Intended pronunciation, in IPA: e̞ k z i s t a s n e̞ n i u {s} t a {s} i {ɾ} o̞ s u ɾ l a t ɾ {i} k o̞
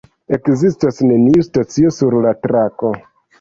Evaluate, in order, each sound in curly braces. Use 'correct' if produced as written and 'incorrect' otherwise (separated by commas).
correct, incorrect, incorrect, incorrect